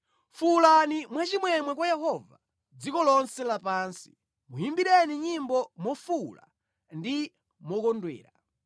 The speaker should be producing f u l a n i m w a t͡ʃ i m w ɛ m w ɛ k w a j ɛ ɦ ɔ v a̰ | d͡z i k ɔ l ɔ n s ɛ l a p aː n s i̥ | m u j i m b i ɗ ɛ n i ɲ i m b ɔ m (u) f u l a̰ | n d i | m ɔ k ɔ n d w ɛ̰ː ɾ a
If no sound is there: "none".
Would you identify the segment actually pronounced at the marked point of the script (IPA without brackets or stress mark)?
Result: ɔ